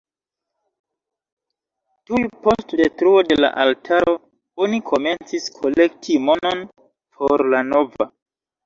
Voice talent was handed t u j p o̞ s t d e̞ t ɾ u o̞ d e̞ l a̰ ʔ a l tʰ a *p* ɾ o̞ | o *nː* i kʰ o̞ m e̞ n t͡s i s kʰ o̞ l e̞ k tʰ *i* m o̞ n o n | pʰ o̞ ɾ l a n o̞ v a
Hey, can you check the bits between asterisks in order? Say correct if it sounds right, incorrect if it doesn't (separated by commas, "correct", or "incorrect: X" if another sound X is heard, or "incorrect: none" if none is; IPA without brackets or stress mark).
incorrect: none, incorrect: n, correct